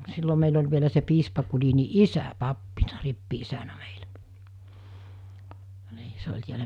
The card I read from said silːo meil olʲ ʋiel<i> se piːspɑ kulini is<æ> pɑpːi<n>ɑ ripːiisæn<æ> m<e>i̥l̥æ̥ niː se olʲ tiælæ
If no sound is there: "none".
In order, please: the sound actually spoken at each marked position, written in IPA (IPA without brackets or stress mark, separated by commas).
æ, æ, n, æ, e